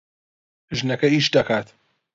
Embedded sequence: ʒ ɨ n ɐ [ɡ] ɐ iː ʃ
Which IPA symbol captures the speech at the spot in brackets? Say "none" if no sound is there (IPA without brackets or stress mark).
k